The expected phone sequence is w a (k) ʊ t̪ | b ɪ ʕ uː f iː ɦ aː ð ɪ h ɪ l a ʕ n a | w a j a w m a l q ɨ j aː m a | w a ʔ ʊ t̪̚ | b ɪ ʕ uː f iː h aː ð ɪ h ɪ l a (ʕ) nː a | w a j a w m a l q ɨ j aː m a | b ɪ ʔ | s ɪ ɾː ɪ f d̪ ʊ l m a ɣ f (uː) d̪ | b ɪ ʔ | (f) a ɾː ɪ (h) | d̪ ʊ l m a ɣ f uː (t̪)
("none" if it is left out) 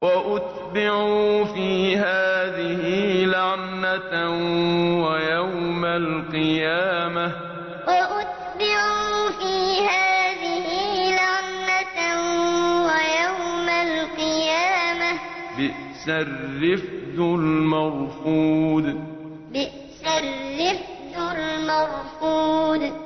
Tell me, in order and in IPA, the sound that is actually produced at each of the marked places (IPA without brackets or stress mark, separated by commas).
ʔ, ʕ, uː, s, f, d̪